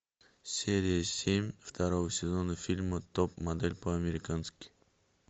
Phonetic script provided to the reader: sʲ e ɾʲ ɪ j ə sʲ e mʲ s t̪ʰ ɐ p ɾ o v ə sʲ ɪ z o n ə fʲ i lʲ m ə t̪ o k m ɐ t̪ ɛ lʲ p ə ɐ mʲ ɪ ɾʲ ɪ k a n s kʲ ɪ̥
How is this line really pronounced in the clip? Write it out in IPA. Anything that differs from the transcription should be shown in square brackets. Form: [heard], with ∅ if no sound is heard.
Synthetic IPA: sʲ e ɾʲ ɪ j ə sʲ e mʲ [f] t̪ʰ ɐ [∅] ɾ o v ə sʲ ɪ z o n ə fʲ i lʲ m ə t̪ o [p] m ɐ [d̪] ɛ lʲ p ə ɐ mʲ ɪ ɾʲ ɪ k a n s kʲ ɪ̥

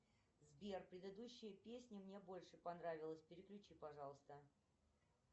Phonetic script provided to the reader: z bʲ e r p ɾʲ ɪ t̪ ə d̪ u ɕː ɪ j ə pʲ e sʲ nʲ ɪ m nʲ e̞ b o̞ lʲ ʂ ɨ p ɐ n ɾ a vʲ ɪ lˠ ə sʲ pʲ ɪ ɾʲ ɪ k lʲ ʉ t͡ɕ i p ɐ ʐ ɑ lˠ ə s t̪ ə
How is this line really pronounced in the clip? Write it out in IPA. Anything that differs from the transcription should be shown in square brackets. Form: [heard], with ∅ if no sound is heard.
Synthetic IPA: z bʲ e r p ɾʲ ɪ [d̪] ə d̪ u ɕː ɪ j ə pʲ e sʲ nʲ ɪ m nʲ e̞ b o̞ lʲ ʂ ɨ p ɐ n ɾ a vʲ ɪ lˠ ə sʲ pʲ ɪ ɾʲ ɪ k lʲ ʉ t͡ɕ i p ɐ ʐ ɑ lˠ ə s t̪ ə

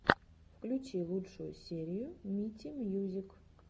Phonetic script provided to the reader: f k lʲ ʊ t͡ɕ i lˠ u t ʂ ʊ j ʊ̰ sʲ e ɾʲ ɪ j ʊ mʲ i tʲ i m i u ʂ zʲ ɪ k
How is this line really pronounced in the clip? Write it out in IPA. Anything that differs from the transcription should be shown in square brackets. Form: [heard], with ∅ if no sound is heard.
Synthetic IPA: f k lʲ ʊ t͡ɕ i lˠ u t ʂ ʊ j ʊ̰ sʲ e ɾʲ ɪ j ʊ mʲ i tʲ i m [j] u [∅] zʲ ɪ k

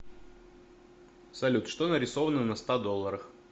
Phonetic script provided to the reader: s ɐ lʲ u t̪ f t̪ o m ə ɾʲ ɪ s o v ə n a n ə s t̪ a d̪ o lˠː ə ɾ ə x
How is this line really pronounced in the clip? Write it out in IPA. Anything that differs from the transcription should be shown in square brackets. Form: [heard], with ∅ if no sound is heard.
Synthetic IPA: s ɐ lʲ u t̪ [ʂ] t̪ o [n] ə ɾʲ ɪ s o v ə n [ə] n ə s t̪ a d̪ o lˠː ə ɾ ə x

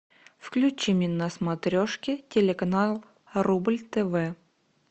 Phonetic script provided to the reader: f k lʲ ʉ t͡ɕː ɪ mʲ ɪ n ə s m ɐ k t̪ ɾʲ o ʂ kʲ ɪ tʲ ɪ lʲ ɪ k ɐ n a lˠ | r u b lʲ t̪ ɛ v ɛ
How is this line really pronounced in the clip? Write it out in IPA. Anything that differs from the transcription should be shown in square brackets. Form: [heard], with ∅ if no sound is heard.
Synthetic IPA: f k lʲ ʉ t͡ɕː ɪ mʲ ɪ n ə s m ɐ [∅] t̪ ɾʲ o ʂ kʲ ɪ tʲ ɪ lʲ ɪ k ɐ n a lˠ | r u b lʲ t̪ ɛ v ɛ

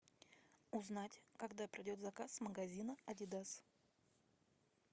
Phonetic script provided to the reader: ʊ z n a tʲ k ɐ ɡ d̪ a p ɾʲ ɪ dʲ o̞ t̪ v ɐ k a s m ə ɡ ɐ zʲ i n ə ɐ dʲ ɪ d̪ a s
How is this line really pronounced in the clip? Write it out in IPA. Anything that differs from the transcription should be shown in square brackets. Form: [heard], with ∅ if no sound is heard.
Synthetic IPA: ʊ z n a tʲ k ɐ ɡ d̪ a p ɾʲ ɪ dʲ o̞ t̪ [z] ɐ k a s m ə ɡ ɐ zʲ i n ə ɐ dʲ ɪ d̪ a s

